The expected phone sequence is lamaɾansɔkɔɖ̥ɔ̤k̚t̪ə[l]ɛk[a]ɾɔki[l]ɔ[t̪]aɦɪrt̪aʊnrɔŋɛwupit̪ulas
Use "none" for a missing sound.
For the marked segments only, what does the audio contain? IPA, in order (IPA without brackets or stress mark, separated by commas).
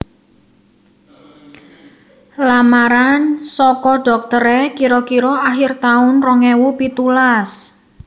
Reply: ɾ, i, ɾ, none